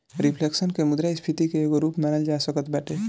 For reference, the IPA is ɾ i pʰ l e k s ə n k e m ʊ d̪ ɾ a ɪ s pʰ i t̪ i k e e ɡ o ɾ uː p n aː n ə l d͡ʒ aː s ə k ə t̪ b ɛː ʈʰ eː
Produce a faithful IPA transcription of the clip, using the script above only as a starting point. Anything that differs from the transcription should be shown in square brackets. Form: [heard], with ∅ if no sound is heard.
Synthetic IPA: ɾ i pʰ l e k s ə n k e m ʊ d̪ ɾ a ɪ s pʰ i t̪ i k e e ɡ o ɾ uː p [m] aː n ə l d͡ʒ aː s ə k ə t̪ b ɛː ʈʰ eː